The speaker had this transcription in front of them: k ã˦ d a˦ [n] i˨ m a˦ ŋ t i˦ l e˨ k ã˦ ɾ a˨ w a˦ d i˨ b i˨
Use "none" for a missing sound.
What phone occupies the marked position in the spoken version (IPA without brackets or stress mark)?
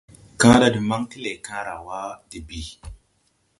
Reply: d